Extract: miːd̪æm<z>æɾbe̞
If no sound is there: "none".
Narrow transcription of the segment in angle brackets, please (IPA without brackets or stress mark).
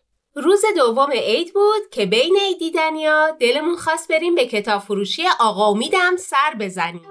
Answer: s